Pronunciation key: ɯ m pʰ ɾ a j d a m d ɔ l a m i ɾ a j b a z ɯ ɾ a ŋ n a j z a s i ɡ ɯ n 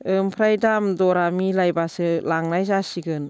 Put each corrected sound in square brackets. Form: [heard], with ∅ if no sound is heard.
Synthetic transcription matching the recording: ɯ m pʰ ɾ a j d a m d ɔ [ɾ] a m i [l] a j b a [s] ɯ [l] a ŋ n a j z a s i ɡ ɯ n